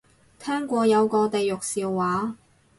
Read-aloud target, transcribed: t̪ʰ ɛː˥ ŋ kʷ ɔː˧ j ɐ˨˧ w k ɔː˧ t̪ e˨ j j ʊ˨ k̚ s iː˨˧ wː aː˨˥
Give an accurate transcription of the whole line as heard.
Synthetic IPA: t̪ʰ ɛː˥ ŋ kʷ ɔː˧ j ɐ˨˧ w k ɔː˧ t̪ e˨ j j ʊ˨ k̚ s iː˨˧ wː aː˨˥